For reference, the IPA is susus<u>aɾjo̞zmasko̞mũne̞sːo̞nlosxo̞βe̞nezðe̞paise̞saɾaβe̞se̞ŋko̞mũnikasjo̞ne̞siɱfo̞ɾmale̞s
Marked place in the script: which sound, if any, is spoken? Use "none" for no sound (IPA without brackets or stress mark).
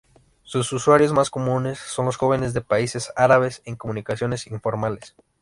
w